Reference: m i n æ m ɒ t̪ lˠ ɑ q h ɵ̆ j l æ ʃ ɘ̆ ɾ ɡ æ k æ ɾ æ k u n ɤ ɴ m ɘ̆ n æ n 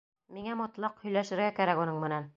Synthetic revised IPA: m i ŋ æ m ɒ t̪ lˠ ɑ q h ɵ̆ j l æ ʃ ɘ̆ ɾ ɡ æ k æ ɾ æ k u n ɤ ɴ m ɘ̆ n æ n